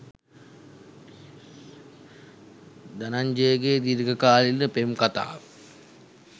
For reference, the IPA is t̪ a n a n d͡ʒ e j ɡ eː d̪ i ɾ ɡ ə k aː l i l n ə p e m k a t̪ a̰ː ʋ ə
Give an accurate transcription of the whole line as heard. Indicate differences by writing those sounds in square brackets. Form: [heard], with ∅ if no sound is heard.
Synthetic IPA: [d̪] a n a [ɲ] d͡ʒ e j ɡ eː d̪ i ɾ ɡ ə k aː l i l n ə p e m k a t̪ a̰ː ʋ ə